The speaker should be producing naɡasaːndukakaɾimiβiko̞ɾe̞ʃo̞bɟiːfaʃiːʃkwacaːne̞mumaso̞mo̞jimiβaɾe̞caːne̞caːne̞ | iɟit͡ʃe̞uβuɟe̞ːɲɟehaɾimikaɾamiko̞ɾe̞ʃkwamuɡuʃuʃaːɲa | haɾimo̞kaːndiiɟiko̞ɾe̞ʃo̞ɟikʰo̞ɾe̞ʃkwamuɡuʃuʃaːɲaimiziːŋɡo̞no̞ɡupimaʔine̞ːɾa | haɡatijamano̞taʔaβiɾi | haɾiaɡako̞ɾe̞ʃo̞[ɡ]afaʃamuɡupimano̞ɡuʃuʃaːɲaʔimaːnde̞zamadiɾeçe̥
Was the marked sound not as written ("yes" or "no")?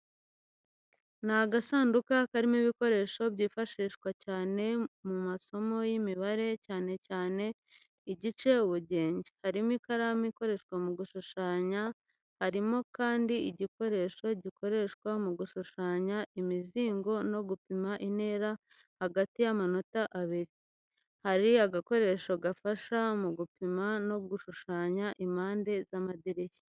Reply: no